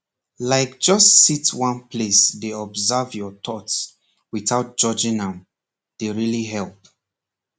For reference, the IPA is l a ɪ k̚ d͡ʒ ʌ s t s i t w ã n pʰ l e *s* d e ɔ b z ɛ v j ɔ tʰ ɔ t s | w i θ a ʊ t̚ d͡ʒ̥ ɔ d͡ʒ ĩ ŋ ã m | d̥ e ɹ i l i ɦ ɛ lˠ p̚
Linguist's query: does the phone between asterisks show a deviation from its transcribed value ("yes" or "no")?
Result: no